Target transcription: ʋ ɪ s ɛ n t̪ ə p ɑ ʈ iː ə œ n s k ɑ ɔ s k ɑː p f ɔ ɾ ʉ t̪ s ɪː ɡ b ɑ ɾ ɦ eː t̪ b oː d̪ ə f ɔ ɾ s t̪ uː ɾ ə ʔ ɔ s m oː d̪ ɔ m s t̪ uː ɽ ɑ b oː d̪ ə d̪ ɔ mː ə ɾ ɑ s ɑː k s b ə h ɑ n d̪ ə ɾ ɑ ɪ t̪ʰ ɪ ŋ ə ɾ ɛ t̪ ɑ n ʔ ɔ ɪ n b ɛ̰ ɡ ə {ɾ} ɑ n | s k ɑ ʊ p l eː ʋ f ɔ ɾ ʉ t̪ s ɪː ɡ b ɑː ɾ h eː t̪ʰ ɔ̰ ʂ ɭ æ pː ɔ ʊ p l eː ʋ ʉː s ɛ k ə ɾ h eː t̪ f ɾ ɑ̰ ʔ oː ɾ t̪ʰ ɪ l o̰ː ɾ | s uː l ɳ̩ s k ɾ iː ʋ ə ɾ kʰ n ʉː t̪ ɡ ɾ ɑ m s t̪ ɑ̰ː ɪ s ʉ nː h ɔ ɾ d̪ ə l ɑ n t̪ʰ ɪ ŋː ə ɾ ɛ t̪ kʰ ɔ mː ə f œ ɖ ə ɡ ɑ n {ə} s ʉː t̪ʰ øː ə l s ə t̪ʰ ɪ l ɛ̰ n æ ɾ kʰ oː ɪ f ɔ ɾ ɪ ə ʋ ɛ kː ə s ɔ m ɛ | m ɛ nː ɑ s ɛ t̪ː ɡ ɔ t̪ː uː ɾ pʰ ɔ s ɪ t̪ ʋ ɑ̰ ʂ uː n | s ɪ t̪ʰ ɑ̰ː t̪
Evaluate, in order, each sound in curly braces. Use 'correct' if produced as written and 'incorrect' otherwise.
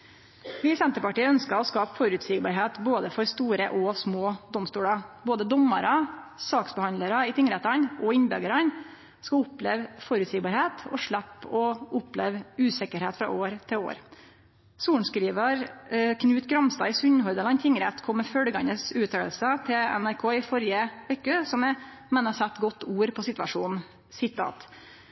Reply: correct, correct

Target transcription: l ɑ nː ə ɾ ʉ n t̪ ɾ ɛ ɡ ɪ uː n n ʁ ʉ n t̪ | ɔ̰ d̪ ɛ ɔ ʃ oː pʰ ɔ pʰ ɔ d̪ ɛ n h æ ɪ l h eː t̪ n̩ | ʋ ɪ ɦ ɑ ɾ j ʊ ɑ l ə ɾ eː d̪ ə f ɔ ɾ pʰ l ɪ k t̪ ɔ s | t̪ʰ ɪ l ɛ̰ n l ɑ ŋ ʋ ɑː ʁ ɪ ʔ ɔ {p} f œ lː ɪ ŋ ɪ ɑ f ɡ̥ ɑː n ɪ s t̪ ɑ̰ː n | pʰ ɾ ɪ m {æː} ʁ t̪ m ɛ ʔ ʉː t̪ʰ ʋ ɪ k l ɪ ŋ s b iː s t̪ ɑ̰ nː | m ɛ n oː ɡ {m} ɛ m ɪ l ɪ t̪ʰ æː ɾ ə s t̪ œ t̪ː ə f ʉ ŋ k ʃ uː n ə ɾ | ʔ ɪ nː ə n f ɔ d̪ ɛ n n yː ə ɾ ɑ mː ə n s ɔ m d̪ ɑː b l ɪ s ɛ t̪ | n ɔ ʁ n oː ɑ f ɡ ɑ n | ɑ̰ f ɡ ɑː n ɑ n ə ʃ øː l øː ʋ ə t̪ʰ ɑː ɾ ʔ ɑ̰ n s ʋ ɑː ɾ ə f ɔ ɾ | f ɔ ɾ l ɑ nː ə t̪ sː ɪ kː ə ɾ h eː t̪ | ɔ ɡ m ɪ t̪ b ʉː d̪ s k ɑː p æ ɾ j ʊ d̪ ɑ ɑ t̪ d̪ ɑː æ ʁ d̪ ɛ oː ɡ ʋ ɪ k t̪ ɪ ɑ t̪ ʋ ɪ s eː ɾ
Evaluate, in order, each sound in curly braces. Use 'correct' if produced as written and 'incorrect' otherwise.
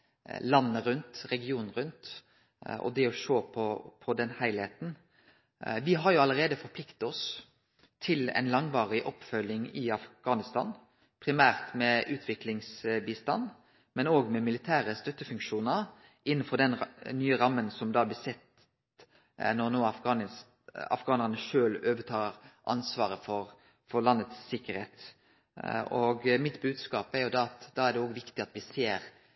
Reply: correct, correct, correct

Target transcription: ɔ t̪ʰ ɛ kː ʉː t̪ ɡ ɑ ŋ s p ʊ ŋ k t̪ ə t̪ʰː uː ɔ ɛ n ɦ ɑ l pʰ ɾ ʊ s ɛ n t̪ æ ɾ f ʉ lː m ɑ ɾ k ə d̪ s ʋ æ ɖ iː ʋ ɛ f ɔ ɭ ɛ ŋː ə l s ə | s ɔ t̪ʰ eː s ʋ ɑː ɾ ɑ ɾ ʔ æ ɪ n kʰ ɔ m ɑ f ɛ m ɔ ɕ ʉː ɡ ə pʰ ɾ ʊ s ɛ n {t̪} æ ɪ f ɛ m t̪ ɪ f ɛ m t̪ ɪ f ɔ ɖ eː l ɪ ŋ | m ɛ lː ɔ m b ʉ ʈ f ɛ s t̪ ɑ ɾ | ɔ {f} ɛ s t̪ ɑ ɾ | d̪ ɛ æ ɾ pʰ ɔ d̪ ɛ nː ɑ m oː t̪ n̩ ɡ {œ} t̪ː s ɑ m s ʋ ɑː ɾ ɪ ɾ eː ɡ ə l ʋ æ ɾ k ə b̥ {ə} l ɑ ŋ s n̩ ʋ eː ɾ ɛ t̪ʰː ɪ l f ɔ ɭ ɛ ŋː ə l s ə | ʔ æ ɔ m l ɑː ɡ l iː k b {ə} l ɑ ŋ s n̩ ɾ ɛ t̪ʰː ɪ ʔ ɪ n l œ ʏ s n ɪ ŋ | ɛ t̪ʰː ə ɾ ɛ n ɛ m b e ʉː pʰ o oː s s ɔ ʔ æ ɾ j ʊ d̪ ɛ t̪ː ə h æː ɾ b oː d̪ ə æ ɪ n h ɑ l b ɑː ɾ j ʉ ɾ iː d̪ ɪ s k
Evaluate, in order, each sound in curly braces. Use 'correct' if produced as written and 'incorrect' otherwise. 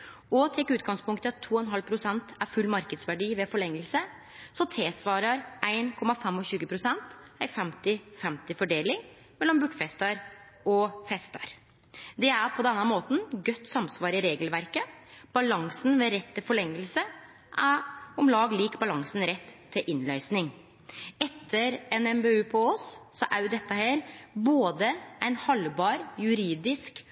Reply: correct, correct, correct, incorrect, incorrect

